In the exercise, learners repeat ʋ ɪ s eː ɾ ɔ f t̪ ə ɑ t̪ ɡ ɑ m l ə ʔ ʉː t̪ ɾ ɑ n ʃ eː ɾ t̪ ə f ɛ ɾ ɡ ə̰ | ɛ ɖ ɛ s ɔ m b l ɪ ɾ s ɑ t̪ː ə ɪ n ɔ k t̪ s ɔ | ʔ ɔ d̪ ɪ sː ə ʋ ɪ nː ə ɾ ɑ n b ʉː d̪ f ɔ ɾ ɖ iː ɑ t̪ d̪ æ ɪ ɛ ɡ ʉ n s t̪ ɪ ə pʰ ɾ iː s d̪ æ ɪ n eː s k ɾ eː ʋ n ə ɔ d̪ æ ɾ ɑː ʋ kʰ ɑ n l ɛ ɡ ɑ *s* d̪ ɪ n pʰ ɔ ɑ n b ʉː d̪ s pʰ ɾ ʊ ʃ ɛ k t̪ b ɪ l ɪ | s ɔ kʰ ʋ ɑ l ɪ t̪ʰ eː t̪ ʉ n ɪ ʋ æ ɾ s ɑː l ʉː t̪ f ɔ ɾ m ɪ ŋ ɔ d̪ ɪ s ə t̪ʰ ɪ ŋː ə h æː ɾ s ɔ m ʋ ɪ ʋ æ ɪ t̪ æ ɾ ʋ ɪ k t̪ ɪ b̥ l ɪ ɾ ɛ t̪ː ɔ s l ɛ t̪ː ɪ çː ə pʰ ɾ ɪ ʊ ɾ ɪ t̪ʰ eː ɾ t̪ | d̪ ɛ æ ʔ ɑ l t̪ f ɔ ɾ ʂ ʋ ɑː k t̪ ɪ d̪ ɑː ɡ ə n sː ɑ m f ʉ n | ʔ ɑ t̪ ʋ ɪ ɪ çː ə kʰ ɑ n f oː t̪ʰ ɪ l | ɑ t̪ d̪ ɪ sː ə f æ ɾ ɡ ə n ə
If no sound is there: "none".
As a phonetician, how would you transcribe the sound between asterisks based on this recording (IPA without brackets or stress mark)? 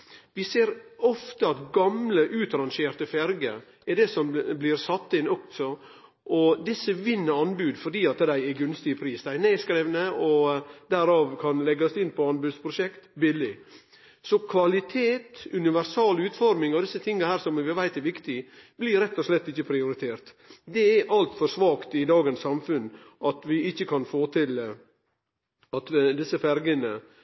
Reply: s